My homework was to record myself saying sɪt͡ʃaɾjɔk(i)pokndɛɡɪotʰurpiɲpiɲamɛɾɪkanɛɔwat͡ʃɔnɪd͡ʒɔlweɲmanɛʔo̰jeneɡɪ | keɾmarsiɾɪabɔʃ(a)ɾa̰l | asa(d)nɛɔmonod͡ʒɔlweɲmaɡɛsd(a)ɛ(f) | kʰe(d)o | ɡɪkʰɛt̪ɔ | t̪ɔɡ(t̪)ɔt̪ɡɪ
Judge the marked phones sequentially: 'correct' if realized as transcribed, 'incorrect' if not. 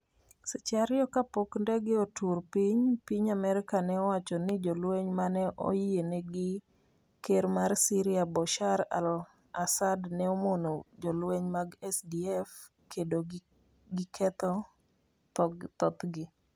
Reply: incorrect, correct, correct, incorrect, correct, correct, correct

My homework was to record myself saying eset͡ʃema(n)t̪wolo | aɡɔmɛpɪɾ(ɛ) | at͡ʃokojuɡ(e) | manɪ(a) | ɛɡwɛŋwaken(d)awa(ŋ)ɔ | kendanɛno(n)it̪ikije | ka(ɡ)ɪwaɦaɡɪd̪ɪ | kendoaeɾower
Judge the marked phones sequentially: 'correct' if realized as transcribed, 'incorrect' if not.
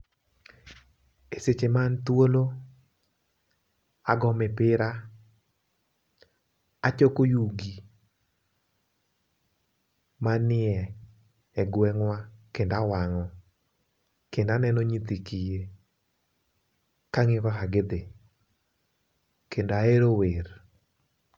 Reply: correct, incorrect, incorrect, incorrect, correct, correct, incorrect, incorrect

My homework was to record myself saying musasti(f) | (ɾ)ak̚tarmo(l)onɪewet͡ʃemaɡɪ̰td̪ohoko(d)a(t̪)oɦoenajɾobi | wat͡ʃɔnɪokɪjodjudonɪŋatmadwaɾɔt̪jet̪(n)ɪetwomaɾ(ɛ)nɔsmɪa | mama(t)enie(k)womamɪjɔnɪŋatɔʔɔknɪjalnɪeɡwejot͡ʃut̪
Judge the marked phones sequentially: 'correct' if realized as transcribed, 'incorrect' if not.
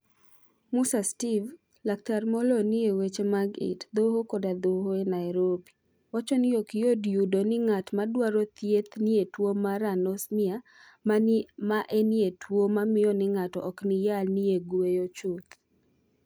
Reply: incorrect, incorrect, correct, correct, incorrect, correct, incorrect, incorrect, incorrect

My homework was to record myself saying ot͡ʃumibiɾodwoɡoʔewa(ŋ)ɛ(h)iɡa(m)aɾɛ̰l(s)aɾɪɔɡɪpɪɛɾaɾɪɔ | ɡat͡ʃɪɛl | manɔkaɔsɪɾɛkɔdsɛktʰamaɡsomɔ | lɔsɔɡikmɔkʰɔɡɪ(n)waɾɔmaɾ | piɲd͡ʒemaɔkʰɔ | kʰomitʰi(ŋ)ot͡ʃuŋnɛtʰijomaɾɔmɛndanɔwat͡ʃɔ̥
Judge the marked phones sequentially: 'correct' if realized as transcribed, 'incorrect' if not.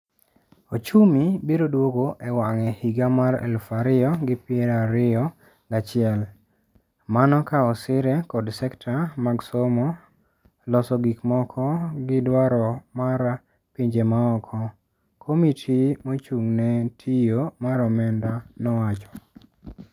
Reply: correct, correct, correct, incorrect, incorrect, incorrect

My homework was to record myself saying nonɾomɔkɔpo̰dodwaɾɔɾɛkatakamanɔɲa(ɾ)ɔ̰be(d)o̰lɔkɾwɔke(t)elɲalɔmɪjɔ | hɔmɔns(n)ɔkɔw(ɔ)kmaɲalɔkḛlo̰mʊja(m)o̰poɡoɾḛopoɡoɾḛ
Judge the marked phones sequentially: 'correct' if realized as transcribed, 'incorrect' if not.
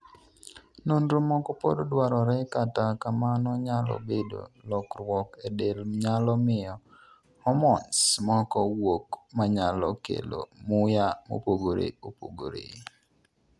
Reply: incorrect, correct, incorrect, incorrect, incorrect, correct

